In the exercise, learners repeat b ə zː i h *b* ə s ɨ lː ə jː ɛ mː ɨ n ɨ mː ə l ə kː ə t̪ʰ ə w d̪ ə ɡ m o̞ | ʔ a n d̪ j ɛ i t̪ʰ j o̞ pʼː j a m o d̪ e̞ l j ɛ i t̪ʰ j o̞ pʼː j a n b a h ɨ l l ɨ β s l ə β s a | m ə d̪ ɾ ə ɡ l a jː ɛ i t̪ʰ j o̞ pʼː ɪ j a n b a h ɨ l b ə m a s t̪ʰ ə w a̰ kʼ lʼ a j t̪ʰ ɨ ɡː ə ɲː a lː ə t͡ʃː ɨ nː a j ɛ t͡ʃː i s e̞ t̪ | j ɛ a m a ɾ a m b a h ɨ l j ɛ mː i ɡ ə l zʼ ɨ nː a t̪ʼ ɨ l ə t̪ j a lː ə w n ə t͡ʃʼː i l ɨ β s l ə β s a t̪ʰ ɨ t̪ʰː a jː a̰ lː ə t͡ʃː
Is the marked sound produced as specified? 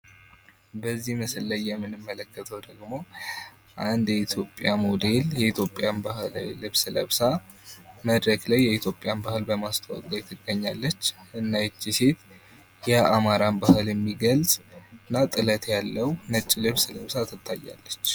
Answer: no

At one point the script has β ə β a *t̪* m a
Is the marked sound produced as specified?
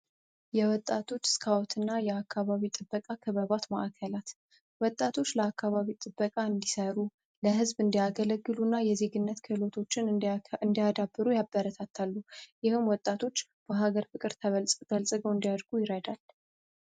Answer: yes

